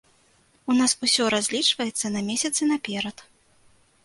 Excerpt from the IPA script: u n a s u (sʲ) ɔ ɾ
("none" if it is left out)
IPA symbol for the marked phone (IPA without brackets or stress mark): sʲ